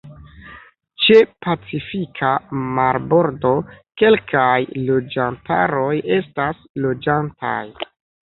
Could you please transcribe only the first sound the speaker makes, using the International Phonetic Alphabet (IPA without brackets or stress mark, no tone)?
t͡ʃ